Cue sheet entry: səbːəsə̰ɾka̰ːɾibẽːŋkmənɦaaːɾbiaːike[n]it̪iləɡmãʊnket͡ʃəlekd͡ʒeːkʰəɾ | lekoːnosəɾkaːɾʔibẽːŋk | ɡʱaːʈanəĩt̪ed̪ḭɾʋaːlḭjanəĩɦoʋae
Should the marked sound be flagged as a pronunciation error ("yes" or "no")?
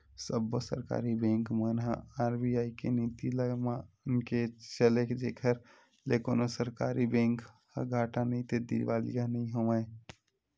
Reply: no